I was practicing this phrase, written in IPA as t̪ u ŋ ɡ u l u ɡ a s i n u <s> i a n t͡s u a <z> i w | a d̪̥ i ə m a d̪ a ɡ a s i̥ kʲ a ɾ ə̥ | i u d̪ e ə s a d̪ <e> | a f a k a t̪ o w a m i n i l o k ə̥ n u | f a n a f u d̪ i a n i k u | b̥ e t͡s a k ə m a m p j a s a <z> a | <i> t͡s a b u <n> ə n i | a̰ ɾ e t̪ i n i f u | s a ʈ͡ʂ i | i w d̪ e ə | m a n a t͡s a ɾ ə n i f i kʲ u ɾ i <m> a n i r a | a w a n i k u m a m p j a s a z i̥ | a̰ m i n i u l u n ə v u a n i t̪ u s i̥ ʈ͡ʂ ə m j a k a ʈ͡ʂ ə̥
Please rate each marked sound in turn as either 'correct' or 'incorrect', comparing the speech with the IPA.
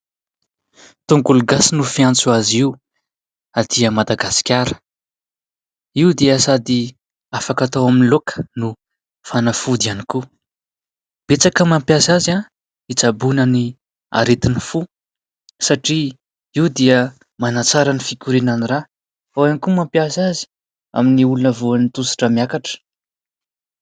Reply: incorrect: f, correct, incorrect: i, correct, correct, correct, incorrect: n

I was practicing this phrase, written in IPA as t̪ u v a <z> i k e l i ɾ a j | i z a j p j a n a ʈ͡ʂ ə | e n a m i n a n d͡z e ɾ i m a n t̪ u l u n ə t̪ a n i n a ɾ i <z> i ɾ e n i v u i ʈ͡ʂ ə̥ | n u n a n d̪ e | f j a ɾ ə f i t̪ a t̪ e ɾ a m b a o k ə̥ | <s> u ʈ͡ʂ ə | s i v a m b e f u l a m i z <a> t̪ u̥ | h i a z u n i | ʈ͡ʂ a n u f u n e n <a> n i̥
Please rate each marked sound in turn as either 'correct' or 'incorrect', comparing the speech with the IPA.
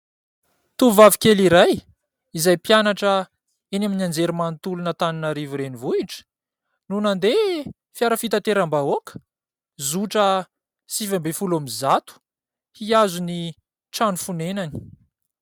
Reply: incorrect: v, incorrect: v, incorrect: z, correct, correct

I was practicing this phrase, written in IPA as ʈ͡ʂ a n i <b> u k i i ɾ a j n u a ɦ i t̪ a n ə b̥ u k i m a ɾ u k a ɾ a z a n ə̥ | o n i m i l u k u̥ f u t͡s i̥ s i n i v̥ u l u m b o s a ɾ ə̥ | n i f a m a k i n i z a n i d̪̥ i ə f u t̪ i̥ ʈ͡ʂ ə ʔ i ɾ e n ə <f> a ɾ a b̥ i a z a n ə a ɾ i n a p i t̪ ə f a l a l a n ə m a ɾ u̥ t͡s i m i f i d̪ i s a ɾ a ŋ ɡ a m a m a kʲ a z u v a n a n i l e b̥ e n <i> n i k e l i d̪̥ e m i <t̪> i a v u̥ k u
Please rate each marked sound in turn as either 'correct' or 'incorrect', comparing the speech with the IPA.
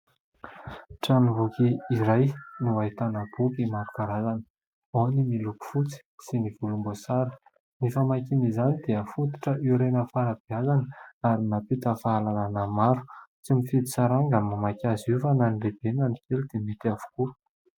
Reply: incorrect: v, correct, incorrect: a, correct

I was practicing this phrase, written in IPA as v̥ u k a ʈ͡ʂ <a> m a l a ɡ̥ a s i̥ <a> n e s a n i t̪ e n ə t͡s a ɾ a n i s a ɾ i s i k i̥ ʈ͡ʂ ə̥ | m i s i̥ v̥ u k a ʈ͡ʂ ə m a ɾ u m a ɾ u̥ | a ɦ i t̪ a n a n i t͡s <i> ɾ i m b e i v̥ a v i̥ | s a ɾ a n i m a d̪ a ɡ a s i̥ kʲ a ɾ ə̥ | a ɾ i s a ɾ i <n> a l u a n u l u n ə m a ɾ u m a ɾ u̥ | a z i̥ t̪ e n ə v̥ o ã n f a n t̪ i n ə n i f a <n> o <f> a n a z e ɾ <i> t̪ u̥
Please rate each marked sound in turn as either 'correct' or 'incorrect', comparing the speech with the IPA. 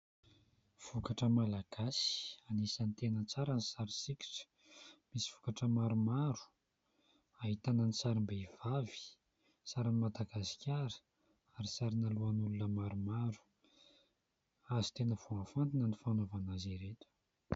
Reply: incorrect: ə, correct, incorrect: a, correct, correct, incorrect: v, incorrect: e

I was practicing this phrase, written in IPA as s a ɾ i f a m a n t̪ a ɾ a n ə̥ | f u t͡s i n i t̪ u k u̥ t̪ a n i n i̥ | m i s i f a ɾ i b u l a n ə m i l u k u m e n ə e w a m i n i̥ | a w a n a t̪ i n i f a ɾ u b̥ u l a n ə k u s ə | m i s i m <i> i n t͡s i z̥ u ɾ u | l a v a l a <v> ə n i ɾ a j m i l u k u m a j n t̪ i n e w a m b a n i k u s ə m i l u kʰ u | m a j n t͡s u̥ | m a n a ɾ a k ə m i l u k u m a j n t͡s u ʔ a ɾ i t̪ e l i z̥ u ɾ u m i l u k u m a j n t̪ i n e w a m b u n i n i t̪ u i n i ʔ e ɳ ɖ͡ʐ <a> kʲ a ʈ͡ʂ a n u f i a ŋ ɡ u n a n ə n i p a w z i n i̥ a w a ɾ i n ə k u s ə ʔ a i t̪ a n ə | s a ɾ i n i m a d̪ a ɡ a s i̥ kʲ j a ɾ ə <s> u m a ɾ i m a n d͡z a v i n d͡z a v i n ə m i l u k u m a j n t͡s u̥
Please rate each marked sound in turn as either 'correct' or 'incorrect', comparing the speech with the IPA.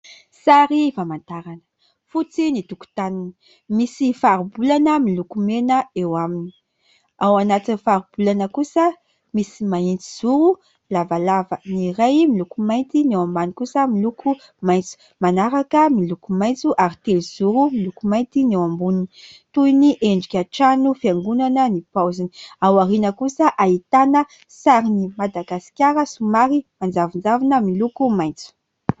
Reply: incorrect: a, correct, incorrect: i, correct

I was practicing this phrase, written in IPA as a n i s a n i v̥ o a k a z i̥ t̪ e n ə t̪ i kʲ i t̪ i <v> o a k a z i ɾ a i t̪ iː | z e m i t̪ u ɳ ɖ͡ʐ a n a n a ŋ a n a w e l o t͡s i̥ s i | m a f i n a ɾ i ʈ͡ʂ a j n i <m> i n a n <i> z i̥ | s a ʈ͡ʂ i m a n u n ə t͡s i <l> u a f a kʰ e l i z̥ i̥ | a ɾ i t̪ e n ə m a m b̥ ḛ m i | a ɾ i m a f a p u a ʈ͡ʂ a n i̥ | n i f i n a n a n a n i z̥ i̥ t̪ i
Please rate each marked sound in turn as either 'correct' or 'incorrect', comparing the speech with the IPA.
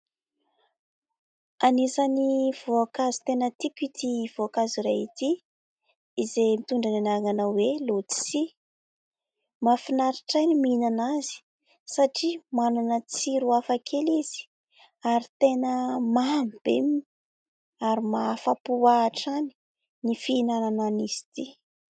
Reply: correct, correct, incorrect: a, incorrect: ɾ

